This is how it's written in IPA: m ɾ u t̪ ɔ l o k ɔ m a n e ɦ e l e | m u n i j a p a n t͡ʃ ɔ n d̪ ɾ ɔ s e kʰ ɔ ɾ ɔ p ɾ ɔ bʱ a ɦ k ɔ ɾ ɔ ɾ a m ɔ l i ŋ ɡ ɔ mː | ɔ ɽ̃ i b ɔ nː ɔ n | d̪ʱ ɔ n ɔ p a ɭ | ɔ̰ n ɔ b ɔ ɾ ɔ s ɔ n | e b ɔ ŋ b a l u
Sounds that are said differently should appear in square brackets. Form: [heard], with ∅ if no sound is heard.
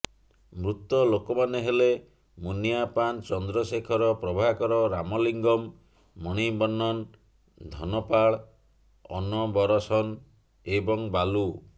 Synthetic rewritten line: m ɾ u t̪ ɔ l o k ɔ m a n e ɦ e l e | m u n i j a p a n t͡ʃ ɔ n d̪ ɾ ɔ s e kʰ ɔ ɾ ɔ p ɾ ɔ bʱ a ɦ k ɔ ɾ ɔ ɾ a m ɔ l i ŋ ɡ ɔ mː | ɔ ɽ̃ i b ɔ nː ɔ n | d̪ʱ ɔ n ɔ p a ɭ | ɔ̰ n ɔ b ɔ ɾ ɔ s ɔ n | e b ɔ ŋ b a l u

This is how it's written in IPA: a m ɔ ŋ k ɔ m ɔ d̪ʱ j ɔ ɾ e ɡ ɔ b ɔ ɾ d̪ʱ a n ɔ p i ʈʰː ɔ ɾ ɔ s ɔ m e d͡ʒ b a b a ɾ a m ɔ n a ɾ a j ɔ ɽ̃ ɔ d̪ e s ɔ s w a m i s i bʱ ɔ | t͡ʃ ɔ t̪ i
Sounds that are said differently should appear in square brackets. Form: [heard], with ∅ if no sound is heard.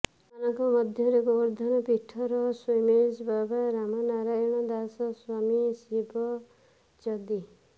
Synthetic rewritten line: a [n] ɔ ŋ k ɔ m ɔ d̪ʱ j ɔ ɾ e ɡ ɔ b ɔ ɾ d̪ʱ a n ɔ p i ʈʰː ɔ ɾ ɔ s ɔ m e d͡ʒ b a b a ɾ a m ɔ n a ɾ a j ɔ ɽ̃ ɔ d̪ [a] s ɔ s w a m i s i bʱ ɔ | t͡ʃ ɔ [d̪] i

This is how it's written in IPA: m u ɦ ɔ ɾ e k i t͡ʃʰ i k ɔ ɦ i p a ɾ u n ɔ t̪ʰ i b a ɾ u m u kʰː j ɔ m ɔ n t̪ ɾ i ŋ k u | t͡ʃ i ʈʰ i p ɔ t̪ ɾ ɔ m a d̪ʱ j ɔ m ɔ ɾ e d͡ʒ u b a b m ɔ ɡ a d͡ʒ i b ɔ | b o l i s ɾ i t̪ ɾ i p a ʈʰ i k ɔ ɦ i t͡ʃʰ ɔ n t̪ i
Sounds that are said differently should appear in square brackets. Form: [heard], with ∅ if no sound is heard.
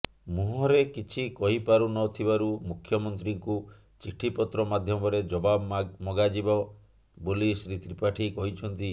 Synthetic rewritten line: m u ɦ ɔ ɾ e k i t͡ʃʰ i k ɔ ɦ i p a ɾ u n ɔ t̪ʰ i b a ɾ u m u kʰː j ɔ m ɔ n t̪ ɾ i ŋ k u | t͡ʃ i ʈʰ i p ɔ t̪ ɾ ɔ m a d̪ʱ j ɔ m ɔ ɾ e d͡ʒ [ɔ] b a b m ɔ ɡ a d͡ʒ i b ɔ | b o l i s ɾ i t̪ ɾ i p a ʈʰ i k ɔ ɦ i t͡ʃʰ ɔ n t̪ i

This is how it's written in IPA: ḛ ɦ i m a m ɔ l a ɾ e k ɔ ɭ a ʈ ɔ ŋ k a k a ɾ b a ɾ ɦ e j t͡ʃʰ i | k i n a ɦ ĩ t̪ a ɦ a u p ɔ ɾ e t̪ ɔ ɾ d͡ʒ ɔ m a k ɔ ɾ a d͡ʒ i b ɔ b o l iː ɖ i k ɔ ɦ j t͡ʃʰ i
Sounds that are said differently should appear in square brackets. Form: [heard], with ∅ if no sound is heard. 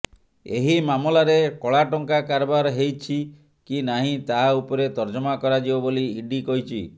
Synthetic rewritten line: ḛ ɦ i m a m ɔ l a ɾ e k ɔ ɭ a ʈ ɔ ŋ k a k a ɾ b a ɾ ɦ e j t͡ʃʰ i | k i n a ɦ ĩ t̪ a ɦ a u p ɔ ɾ e t̪ ɔ ɾ d͡ʒ ɔ m a k ɔ ɾ a d͡ʒ i b ɔ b o l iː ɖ i k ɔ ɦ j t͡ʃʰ i

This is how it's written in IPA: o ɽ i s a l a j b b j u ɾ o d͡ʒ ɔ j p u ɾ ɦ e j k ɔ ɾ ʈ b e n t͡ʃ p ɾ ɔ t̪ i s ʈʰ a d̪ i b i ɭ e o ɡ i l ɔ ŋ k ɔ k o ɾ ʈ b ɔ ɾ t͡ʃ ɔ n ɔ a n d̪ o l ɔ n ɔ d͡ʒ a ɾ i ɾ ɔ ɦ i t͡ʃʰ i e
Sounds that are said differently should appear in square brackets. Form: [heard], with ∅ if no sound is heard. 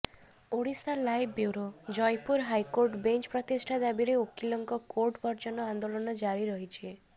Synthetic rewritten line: o ɽ i s a l a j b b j u ɾ o d͡ʒ ɔ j p u ɾ ɦ [a] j k [o] ɾ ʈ b e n t͡ʃ p ɾ ɔ t̪ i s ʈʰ a d̪ [a] b i [ɾ] e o [k] i l ɔ ŋ k ɔ k o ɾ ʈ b ɔ ɾ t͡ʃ ɔ n ɔ a n d̪ o l ɔ n ɔ d͡ʒ a ɾ i ɾ ɔ ɦ i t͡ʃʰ i e

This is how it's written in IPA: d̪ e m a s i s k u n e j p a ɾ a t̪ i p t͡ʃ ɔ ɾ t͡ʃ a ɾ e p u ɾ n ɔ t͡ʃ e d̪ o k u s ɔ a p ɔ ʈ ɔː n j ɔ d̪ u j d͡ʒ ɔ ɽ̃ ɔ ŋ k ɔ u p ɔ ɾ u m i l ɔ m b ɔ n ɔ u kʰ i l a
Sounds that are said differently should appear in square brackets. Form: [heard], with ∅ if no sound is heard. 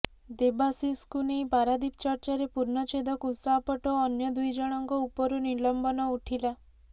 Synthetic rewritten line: d̪ e [b] a s i s k u n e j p a ɾ a [d̪] i p t͡ʃ ɔ ɾ t͡ʃ a ɾ e p u ɾ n ɔ t͡ʃ e d̪ [ɔ] k u s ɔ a p ɔ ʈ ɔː n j ɔ d̪ u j d͡ʒ ɔ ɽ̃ ɔ ŋ k ɔ u p ɔ ɾ u [n] i l ɔ m b ɔ n ɔ u [ʈʰ] i l a

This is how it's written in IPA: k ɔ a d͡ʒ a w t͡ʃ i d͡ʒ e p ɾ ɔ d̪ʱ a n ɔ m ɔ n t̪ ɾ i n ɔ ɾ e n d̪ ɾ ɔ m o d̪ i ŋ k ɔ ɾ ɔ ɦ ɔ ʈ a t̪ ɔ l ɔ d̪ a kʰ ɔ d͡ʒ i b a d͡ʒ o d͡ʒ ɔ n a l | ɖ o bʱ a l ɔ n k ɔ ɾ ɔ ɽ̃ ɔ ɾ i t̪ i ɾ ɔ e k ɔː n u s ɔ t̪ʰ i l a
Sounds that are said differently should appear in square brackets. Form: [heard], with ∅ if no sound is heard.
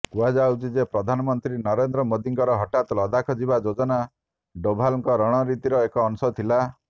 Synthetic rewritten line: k [u] a d͡ʒ a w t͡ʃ i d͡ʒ e p ɾ ɔ d̪ʱ a n ɔ m ɔ n t̪ ɾ i n ɔ ɾ e n d̪ ɾ ɔ m o d̪ i ŋ k ɔ ɾ ɔ ɦ ɔ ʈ a t̪ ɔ l ɔ d̪ a kʰ ɔ d͡ʒ i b a d͡ʒ o d͡ʒ ɔ n a [∅] | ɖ o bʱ a l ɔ [ŋ] k ɔ ɾ ɔ ɽ̃ ɔ ɾ i t̪ i ɾ ɔ e k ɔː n u s ɔ t̪ʰ i l a

